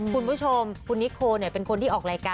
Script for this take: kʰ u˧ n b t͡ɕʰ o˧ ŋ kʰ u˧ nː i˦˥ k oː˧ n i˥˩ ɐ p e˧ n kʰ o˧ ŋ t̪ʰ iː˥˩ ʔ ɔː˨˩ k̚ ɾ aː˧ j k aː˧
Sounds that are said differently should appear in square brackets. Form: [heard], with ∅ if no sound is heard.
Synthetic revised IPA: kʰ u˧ n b t͡ɕʰ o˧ [m] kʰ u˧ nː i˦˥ [kʰ] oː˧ n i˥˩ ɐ p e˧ n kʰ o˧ [n] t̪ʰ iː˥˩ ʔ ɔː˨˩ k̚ ɾ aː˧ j k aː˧

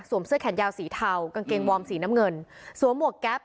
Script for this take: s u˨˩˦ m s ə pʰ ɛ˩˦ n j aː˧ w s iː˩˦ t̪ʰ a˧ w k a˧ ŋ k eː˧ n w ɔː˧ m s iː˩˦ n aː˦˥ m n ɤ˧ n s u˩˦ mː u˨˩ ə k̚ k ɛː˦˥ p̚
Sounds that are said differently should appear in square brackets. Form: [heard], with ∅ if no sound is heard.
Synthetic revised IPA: s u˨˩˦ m s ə [kʰ] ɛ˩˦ n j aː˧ w s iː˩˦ t̪ʰ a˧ w k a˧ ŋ k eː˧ [ŋ] w ɔː˧ m s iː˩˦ n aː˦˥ m [ŋ] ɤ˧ n s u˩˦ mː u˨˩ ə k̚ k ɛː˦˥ p̚

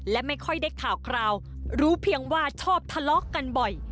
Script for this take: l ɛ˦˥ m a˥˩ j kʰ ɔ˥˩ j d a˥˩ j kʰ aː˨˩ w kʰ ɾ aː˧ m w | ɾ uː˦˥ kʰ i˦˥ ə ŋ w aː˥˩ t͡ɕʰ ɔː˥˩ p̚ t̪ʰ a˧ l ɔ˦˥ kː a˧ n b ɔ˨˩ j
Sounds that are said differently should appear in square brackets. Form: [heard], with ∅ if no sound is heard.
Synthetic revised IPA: l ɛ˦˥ m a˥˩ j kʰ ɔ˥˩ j d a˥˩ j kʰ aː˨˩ w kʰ ɾ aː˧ [∅] w | ɾ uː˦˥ [pʰ] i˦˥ ə ŋ w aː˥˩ t͡ɕʰ ɔː˥˩ p̚ t̪ʰ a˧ l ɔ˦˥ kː a˧ n b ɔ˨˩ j

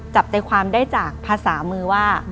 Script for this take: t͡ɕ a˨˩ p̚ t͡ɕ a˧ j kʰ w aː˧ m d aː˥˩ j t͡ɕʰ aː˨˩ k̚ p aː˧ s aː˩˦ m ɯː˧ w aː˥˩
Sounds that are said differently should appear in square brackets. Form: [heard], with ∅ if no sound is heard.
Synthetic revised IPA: t͡ɕ a˨˩ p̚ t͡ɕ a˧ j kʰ w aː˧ m d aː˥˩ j [t͡ɕ] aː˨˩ k̚ [pʰ] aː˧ s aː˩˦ m ɯː˧ w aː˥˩

